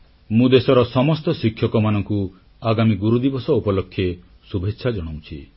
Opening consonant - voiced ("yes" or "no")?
yes